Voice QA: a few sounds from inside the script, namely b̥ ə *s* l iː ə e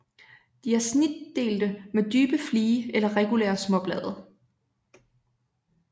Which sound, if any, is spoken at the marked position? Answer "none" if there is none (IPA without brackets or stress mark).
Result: f